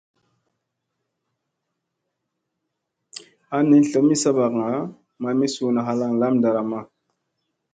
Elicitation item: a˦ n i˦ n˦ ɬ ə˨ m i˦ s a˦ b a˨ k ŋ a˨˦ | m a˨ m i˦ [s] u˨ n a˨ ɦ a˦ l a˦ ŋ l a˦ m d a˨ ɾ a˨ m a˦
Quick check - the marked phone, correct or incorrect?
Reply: correct